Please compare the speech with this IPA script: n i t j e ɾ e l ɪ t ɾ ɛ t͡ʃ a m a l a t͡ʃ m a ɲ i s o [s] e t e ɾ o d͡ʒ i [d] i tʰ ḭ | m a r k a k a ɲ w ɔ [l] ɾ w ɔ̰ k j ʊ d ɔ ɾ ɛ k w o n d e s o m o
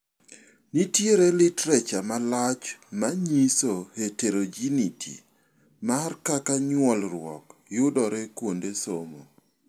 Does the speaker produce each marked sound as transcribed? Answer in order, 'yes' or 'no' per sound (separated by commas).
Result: no, no, yes